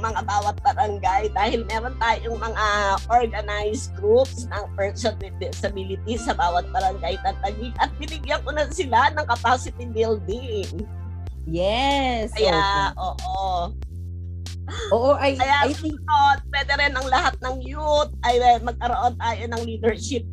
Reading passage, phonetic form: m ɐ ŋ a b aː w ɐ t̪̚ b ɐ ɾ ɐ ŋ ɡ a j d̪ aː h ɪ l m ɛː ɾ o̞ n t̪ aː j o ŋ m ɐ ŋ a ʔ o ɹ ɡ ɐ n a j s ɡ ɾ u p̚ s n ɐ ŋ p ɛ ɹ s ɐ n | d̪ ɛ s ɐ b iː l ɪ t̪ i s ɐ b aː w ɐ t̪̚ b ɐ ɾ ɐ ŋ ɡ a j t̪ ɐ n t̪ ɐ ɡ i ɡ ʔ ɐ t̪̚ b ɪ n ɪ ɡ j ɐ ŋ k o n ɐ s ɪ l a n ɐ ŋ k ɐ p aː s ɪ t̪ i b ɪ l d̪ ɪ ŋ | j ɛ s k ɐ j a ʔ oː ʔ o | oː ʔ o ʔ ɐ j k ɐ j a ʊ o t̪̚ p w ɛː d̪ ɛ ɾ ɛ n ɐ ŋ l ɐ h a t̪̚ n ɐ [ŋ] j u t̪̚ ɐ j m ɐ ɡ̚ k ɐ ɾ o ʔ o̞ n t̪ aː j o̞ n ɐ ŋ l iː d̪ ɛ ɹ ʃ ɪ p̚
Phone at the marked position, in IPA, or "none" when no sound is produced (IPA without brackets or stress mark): ŋ